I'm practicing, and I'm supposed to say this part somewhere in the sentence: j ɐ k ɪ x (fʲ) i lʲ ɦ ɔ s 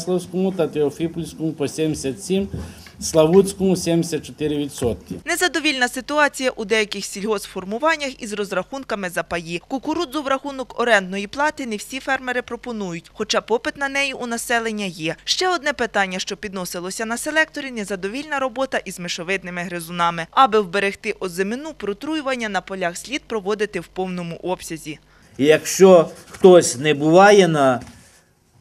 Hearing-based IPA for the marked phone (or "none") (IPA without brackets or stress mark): sʲ